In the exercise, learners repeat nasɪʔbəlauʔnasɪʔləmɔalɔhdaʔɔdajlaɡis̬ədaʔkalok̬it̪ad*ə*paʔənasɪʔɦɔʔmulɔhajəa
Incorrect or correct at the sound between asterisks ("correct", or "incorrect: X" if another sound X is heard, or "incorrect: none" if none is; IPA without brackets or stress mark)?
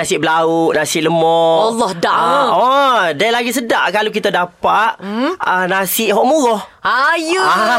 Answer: incorrect: a